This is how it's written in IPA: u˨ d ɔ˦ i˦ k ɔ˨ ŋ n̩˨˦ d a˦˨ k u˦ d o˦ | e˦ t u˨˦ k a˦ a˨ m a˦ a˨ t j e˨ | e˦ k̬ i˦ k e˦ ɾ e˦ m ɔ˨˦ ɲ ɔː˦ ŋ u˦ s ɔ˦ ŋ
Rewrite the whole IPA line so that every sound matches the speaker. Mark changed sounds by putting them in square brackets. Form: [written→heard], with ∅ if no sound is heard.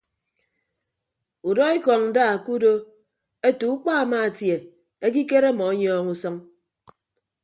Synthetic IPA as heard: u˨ d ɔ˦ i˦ k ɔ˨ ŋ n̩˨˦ d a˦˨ k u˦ d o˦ | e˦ t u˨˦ [k→k͡p] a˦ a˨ m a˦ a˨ t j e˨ | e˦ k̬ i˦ k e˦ ɾ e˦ m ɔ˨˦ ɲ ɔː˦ ŋ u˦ s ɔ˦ ŋ